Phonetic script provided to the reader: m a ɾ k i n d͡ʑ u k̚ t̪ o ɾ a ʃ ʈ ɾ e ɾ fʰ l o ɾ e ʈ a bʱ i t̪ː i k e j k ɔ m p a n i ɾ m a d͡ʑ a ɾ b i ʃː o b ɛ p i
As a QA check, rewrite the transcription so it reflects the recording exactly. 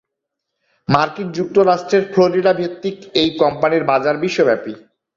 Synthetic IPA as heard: m a ɾ k i n d͡ʑ u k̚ t̪ o ɾ a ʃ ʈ ɾ e ɾ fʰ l o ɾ i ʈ a bʱ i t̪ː i k e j k ɔ m p a n i ɾ b a d͡ʑ a ɾ b i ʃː o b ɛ p i